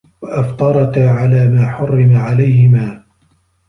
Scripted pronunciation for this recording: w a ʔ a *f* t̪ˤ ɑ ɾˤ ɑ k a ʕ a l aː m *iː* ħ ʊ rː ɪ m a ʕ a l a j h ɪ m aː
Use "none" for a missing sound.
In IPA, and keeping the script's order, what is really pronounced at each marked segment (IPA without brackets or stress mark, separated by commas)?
f, aː